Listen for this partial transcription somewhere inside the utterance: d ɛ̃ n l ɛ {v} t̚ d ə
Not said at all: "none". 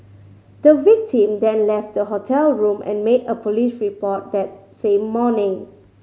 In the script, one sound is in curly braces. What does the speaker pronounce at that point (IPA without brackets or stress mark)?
f